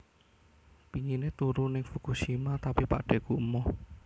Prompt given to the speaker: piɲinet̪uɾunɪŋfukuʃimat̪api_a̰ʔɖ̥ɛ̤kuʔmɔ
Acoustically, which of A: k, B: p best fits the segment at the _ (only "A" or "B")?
B